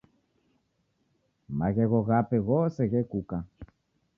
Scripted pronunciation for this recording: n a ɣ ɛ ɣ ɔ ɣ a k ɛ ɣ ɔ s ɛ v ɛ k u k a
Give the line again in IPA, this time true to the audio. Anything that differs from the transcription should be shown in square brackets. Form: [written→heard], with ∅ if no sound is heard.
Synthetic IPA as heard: [n→m] a ɣ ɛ ɣ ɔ ɣ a [k→p] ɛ ɣ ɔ s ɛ [v→ɣ] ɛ k u k a